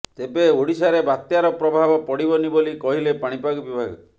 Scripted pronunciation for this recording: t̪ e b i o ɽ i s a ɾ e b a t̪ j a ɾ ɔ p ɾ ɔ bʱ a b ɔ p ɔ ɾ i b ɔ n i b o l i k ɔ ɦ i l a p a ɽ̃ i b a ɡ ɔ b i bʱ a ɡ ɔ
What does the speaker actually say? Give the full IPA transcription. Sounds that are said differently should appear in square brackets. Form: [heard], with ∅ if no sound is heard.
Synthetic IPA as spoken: t̪ e b [e] o ɽ i s a ɾ e b a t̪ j a ɾ ɔ p ɾ ɔ bʱ a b ɔ p ɔ [ɽ] i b ɔ n i b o l i k ɔ ɦ i l [e] p a ɽ̃ i [p] a ɡ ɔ b i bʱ a ɡ ɔ